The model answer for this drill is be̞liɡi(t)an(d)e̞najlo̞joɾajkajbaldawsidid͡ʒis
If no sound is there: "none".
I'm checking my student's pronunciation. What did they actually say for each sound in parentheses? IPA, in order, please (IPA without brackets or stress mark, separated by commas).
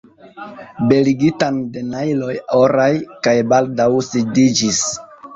t, d